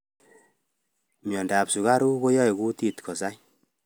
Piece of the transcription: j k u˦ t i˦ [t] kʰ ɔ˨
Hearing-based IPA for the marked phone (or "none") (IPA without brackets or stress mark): t